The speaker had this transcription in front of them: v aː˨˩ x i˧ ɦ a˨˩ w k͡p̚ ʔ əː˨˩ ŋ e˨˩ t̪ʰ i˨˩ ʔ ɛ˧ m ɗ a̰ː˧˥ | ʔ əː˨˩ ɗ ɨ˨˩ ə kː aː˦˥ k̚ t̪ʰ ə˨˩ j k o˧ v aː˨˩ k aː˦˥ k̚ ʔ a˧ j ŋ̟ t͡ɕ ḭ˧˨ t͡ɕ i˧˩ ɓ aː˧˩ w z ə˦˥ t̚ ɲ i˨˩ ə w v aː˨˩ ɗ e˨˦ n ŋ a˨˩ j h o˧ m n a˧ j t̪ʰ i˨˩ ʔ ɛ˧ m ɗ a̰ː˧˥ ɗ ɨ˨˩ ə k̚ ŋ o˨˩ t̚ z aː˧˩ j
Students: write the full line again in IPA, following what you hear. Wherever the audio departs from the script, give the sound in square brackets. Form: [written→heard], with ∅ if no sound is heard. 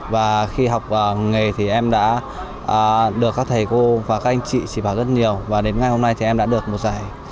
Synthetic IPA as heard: v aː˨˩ x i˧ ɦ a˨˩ w k͡p̚ ʔ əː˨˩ ŋ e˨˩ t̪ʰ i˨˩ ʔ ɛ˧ m ɗ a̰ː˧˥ | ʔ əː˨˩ ɗ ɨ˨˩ ə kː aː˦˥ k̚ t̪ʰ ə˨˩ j k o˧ v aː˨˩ k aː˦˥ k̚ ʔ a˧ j ŋ̟ t͡ɕ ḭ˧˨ t͡ɕ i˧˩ ɓ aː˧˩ w z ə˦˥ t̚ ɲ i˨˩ ə w v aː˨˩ ɗ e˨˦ n ŋ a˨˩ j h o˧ m n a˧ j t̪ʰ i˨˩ ʔ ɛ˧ m ɗ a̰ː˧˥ ɗ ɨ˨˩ ə k̚ [ŋ→m] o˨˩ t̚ z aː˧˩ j